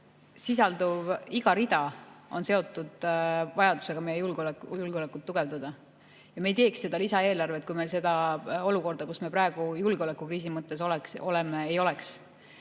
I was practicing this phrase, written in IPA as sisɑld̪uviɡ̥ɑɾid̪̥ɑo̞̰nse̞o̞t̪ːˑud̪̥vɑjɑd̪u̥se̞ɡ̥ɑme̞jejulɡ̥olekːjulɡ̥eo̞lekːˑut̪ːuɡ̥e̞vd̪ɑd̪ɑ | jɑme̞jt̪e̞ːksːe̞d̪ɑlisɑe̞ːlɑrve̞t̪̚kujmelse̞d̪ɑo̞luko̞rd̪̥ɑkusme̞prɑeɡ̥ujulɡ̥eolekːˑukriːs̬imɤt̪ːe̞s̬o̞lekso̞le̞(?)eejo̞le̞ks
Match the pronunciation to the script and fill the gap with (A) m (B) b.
A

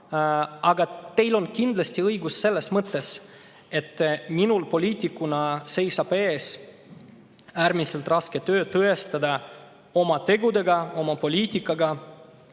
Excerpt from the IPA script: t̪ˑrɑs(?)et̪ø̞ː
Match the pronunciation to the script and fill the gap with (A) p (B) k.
B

